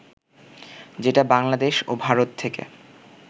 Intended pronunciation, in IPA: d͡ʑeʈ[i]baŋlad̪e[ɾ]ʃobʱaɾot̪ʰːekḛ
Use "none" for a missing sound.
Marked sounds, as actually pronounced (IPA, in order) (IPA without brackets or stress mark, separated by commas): a, none